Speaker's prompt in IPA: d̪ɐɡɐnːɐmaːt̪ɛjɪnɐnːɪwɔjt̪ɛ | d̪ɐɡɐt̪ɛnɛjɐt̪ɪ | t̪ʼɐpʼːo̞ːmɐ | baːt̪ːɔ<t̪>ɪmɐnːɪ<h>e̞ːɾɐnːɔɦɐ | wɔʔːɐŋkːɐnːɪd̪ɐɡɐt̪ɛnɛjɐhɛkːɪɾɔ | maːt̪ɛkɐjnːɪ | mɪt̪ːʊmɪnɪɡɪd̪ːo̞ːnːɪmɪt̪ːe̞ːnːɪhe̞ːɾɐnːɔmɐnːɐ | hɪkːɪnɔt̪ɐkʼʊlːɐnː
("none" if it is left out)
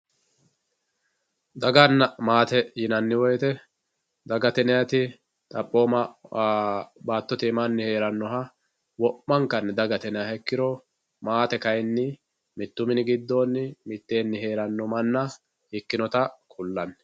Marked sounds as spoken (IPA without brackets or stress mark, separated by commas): t̪, h